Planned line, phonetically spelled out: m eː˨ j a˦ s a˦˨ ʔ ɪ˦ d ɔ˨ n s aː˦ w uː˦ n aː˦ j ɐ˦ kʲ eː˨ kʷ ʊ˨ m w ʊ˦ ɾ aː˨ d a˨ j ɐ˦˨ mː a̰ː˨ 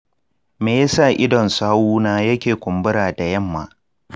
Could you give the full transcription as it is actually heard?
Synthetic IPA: m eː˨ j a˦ s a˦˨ ʔ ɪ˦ d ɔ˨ n s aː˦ w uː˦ n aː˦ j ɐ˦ kʲ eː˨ kʷ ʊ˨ m b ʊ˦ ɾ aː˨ d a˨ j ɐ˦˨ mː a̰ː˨